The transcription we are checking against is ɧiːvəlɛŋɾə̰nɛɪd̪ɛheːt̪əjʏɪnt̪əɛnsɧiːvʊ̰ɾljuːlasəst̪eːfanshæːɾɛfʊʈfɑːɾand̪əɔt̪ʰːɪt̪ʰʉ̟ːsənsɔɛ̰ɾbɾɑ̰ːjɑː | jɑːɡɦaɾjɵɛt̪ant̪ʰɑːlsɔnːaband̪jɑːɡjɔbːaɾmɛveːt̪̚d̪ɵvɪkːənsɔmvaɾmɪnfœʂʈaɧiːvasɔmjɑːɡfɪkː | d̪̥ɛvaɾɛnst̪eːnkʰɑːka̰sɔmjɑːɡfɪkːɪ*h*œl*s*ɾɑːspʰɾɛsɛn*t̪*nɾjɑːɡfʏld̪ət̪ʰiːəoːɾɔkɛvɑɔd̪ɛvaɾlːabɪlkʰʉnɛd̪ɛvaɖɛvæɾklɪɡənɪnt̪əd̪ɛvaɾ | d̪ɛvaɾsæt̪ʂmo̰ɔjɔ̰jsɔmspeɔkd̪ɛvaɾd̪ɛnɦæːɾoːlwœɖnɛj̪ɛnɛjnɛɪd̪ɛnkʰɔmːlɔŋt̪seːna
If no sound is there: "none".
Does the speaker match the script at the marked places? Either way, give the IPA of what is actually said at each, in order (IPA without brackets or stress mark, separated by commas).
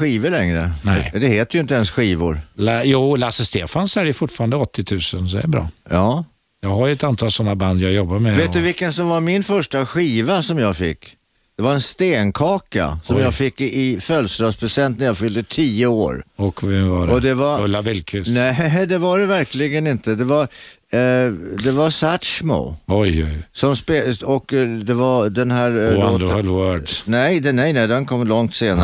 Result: f, s, t̪